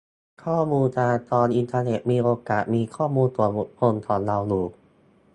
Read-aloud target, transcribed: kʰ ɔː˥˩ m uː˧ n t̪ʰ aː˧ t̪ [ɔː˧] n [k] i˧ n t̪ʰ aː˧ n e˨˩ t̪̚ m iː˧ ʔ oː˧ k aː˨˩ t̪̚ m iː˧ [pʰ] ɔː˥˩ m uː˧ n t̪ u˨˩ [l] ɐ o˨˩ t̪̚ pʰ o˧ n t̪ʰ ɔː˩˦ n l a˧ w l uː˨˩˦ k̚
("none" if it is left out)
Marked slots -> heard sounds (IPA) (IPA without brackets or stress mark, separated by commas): ɔː˧, ʔ, kʰ, none